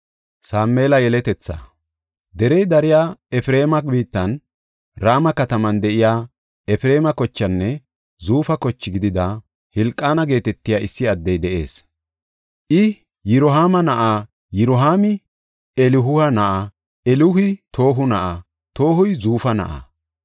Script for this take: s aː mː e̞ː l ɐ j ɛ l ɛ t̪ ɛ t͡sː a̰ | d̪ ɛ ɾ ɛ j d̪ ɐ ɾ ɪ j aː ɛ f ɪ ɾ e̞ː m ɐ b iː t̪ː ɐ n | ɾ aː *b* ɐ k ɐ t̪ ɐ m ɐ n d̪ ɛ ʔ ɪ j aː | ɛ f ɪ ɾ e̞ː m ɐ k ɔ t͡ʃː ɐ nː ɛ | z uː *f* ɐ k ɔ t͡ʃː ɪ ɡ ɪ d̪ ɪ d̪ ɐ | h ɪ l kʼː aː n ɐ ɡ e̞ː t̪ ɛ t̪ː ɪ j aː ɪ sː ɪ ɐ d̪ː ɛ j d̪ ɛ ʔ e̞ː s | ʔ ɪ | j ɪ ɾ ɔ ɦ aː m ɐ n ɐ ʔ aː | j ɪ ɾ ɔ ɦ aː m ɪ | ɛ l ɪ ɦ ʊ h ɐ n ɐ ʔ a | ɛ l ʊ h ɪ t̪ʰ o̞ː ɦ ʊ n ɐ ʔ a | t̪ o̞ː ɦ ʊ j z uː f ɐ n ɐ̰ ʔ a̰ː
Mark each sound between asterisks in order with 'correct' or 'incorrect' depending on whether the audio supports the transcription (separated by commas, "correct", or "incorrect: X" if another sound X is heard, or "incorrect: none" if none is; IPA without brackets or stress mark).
incorrect: m, correct